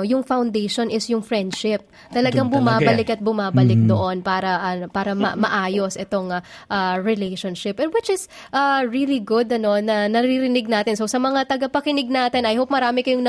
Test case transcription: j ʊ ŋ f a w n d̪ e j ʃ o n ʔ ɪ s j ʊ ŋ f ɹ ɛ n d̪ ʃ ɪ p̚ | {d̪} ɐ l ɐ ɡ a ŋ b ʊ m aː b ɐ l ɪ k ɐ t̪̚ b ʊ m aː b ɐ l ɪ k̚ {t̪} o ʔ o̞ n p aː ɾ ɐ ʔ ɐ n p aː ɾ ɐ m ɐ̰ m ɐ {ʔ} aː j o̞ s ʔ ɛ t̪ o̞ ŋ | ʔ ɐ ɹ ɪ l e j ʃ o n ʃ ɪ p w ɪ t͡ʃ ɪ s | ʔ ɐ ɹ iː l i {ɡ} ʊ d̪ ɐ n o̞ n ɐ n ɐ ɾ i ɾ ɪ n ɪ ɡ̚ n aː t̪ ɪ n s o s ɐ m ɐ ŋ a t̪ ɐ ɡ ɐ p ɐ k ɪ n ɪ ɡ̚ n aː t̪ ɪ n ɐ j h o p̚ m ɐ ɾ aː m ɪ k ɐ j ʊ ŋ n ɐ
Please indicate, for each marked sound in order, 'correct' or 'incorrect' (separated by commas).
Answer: incorrect, incorrect, correct, correct